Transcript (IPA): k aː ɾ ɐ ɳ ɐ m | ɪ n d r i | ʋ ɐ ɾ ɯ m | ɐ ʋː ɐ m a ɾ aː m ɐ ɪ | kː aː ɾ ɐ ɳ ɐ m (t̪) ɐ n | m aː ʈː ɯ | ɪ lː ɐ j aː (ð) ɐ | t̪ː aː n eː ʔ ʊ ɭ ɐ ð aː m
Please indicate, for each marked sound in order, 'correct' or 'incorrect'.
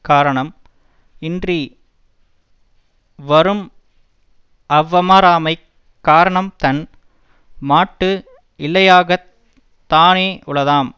correct, incorrect: ɣ

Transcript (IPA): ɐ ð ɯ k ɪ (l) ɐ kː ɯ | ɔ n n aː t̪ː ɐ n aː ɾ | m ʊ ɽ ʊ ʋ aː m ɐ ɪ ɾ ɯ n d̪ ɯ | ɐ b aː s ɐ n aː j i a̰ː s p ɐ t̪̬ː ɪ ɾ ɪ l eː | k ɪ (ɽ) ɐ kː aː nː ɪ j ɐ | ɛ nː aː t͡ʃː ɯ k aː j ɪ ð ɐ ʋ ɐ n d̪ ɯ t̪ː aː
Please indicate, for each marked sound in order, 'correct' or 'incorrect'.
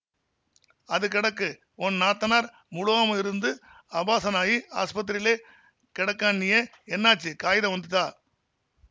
incorrect: ɽ, correct

